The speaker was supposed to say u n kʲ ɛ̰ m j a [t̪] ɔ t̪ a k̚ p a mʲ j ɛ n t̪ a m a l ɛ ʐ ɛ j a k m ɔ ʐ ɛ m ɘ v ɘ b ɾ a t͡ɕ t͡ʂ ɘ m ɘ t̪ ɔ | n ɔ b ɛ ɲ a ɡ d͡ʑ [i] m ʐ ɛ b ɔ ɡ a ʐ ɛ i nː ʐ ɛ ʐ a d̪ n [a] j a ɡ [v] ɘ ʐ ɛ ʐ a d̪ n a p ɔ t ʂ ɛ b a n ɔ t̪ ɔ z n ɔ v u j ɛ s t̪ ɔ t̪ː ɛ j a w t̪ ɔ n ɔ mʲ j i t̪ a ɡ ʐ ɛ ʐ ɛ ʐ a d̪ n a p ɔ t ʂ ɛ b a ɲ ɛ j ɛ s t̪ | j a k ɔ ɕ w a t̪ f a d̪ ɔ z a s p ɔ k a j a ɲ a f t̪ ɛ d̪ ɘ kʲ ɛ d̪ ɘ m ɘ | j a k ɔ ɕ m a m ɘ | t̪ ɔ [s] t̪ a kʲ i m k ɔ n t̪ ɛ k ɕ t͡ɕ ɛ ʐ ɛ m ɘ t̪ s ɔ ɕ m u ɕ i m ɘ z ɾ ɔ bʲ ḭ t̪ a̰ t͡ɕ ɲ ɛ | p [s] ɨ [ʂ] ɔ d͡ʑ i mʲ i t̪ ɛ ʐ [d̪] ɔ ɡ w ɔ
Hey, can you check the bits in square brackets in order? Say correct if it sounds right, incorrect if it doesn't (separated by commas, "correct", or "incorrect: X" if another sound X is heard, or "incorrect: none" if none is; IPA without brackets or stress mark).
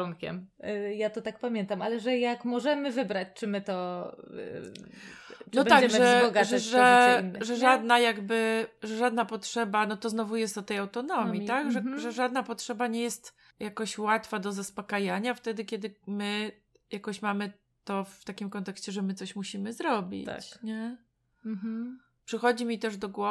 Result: correct, incorrect: ɛ, correct, incorrect: b, incorrect: f, incorrect: ʂ, incorrect: x, correct